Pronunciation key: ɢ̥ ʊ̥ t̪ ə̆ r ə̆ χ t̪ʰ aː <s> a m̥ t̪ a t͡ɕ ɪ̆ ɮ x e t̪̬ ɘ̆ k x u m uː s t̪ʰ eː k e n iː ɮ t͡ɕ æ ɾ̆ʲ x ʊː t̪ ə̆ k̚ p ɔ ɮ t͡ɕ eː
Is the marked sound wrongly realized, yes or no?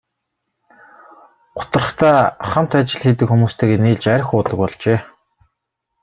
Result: yes